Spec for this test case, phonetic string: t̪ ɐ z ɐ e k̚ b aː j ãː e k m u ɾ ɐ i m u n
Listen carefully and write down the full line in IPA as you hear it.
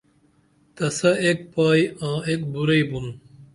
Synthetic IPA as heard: t̪ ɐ s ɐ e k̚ p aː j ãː e k b u ɾ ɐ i b u n